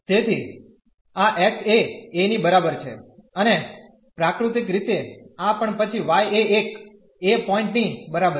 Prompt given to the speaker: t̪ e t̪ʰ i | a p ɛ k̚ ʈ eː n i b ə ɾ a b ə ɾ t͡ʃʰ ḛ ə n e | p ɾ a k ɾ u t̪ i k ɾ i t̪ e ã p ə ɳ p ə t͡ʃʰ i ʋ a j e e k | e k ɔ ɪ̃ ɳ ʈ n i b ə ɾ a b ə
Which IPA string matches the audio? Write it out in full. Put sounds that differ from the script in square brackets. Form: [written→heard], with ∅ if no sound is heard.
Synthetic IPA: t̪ e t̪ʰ i | a [p→ʔ] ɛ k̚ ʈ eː n i b ə ɾ a b ə ɾ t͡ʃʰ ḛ ə n e | p ɾ a k ɾ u t̪ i k ɾ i t̪ e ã p ə ɳ p ə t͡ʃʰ i ʋ a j e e k | e [k→p] ɔ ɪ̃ ɳ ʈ n i b ə ɾ a b ə